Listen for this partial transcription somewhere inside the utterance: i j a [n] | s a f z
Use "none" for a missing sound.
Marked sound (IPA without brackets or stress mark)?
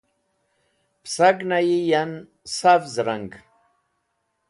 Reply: n